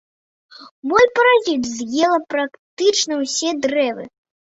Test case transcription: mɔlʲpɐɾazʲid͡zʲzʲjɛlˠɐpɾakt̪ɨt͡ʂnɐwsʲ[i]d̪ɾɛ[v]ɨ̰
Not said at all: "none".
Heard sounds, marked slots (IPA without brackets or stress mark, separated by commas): ɛ, v